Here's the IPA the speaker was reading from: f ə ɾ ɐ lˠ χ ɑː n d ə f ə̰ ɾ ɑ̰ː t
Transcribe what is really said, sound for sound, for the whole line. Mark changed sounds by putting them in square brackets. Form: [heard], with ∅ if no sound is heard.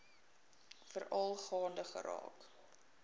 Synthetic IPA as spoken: f ə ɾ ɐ lˠ χ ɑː n d ə [χ] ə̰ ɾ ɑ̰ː [k]